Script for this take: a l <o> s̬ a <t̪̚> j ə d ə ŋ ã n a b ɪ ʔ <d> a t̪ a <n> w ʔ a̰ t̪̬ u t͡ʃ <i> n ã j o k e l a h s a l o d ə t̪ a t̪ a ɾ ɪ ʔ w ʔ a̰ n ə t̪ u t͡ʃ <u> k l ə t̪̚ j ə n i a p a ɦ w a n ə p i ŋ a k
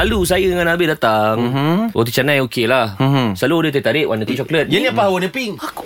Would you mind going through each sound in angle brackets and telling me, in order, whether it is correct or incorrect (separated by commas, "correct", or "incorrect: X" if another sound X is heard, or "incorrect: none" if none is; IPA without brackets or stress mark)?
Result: incorrect: u, incorrect: none, correct, incorrect: ŋ, incorrect: a, incorrect: ɔ